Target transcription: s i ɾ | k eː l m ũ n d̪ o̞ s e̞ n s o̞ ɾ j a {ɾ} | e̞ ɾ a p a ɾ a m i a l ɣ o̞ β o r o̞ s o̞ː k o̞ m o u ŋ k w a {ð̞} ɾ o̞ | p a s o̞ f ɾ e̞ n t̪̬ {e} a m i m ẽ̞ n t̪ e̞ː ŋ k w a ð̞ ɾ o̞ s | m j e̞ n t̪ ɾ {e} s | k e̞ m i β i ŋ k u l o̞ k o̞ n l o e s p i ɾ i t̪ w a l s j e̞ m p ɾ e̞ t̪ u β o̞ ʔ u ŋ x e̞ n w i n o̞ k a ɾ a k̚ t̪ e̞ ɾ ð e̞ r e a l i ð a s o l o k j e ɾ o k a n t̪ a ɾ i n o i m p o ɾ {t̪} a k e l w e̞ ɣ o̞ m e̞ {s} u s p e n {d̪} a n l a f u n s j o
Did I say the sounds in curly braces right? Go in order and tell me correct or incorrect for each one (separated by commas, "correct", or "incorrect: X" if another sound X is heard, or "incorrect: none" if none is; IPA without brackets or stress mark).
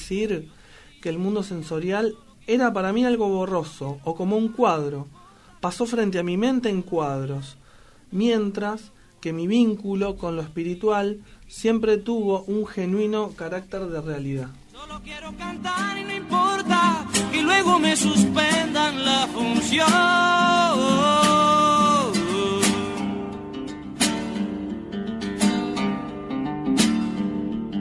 incorrect: l, correct, correct, incorrect: a, correct, correct, correct